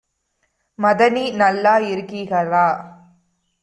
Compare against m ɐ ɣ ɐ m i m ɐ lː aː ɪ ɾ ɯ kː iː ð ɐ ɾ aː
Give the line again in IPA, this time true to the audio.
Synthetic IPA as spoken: m ɐ ð ɐ n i n ɐ lː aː ɪ ɾ ɯ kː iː ɣ ɐ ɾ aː